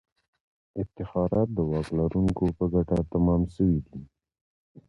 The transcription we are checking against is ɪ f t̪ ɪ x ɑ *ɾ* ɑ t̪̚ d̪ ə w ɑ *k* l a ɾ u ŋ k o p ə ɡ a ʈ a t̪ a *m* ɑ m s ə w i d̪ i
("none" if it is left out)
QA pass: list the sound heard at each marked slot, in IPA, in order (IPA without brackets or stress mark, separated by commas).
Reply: ɾ, k, m